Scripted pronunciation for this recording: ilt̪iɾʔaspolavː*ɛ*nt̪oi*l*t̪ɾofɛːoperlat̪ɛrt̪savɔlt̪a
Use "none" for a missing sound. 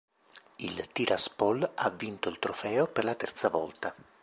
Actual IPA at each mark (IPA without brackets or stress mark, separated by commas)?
i, l